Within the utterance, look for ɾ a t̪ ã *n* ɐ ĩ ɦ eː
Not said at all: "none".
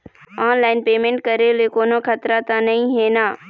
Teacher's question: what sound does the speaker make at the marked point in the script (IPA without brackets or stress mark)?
n